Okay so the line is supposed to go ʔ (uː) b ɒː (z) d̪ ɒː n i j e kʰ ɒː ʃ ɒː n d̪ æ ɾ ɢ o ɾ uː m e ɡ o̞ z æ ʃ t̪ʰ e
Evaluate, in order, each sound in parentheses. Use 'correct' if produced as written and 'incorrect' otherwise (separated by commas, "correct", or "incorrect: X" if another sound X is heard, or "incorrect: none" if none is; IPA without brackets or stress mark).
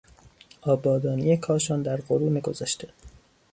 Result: incorrect: ɒː, incorrect: none